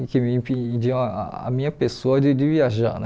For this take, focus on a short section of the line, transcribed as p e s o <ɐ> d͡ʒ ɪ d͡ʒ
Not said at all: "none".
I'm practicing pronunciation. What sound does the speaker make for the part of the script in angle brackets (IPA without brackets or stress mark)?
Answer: ɐ